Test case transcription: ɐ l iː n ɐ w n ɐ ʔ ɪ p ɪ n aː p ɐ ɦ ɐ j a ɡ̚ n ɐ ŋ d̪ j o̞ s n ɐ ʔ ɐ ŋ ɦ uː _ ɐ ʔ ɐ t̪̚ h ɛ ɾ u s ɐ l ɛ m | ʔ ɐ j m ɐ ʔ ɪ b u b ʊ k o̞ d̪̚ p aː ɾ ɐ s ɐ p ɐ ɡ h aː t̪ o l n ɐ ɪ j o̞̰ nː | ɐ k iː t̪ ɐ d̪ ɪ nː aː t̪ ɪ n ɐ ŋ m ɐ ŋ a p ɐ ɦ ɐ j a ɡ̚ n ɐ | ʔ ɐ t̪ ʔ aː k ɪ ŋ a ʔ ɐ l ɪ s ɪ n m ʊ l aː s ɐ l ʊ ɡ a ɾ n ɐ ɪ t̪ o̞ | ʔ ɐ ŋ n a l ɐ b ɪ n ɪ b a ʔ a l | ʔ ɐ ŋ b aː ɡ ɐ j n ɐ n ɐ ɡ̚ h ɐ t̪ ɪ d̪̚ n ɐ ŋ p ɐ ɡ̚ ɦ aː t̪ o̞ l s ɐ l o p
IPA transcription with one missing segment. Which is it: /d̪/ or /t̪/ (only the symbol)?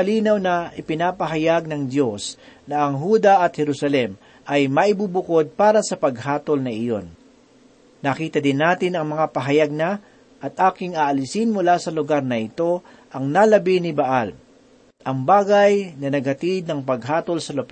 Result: d̪